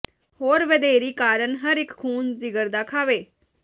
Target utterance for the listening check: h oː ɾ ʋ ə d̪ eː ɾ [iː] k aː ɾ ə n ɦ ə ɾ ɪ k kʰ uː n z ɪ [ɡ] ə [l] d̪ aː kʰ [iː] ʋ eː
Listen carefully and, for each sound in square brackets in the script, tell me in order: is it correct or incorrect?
correct, correct, incorrect, incorrect

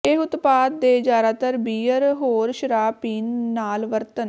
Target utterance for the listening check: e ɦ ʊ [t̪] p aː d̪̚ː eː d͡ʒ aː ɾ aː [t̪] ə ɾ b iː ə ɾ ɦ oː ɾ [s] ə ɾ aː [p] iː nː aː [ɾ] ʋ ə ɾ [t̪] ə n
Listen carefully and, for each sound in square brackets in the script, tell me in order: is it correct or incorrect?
correct, correct, incorrect, correct, incorrect, correct

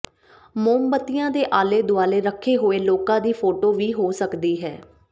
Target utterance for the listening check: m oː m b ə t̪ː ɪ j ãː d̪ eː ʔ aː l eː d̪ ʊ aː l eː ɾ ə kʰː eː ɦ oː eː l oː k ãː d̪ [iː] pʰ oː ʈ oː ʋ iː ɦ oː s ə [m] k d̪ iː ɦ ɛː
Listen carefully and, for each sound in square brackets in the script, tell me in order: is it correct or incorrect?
correct, incorrect

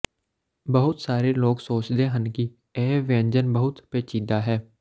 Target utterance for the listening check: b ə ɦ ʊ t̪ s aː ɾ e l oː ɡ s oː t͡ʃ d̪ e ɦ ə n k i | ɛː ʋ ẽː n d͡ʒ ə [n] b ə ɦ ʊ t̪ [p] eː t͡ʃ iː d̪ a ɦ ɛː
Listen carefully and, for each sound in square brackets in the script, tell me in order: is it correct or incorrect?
correct, correct

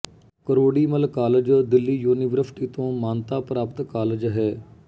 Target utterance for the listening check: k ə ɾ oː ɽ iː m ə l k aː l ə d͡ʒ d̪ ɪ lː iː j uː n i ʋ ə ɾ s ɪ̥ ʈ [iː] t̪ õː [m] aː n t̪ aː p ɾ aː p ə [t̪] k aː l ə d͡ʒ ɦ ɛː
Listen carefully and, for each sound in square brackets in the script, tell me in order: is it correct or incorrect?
correct, correct, correct

